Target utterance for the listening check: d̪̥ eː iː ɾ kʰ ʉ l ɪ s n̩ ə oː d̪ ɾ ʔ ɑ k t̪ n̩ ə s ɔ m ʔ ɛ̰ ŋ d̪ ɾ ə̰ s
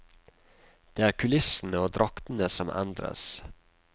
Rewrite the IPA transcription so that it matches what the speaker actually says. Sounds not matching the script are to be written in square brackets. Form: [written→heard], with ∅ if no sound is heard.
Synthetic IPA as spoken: d̪̥ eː [iː→æː] ɾ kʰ ʉ l ɪ s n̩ ə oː d̪ ɾ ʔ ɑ k t̪ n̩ ə s ɔ m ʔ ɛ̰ [ŋ→n] d̪ ɾ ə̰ s